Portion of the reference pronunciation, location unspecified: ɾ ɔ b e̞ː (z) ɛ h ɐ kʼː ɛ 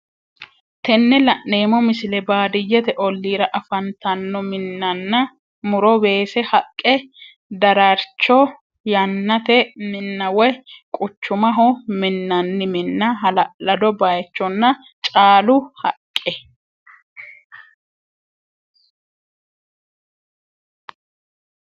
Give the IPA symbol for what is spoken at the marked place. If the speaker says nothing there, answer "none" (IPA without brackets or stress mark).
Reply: s